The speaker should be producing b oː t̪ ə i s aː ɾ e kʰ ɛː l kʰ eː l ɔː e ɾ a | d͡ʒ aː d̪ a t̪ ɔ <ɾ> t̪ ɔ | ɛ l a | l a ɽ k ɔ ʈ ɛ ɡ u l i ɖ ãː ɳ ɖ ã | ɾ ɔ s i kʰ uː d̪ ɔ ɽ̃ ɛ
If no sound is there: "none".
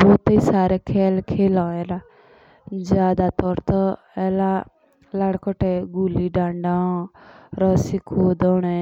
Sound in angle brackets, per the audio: ɾ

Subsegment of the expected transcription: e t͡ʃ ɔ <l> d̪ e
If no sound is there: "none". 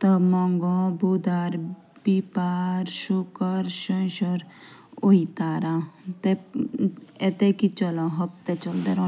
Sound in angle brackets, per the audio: l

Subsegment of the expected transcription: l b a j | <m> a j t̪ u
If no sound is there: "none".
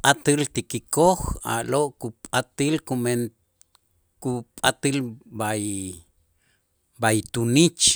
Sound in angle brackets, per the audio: b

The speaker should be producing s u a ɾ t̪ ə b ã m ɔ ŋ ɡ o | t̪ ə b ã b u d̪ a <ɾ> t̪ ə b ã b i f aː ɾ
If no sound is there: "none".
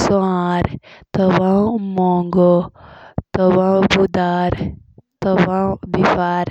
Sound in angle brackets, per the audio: ɾ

